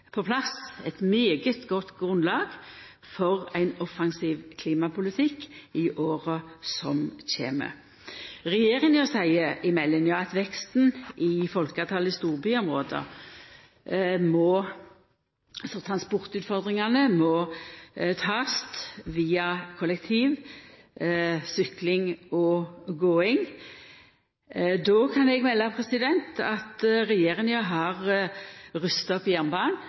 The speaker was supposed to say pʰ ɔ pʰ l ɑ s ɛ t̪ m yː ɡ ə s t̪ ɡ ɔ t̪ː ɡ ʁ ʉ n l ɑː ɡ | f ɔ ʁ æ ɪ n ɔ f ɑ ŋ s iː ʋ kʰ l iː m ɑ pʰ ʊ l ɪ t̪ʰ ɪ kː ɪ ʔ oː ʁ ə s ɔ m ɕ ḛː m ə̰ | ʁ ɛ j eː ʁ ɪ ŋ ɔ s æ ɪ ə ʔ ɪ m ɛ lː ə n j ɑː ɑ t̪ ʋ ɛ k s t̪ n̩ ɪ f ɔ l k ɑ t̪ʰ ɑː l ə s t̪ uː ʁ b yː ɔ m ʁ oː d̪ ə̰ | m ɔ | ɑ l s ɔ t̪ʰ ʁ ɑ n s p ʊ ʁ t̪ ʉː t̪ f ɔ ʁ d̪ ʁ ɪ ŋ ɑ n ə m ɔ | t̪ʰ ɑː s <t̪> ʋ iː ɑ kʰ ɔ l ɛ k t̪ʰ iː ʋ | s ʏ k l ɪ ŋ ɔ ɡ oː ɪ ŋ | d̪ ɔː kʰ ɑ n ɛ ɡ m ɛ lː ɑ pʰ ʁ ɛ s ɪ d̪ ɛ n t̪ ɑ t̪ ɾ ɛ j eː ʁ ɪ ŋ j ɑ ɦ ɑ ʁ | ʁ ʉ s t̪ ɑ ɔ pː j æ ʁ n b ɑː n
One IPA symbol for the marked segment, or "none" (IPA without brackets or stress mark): t̪